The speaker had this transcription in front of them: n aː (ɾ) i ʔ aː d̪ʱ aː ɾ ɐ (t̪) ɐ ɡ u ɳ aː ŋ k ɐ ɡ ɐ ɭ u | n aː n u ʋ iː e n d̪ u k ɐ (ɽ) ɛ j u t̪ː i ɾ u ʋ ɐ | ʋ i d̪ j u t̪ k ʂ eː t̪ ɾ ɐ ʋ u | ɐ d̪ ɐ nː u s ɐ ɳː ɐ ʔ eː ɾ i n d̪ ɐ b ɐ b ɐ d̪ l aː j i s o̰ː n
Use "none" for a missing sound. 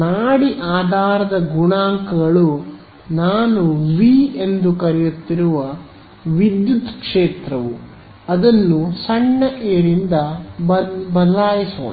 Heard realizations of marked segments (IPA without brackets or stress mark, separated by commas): ɽ, d̪, ɾ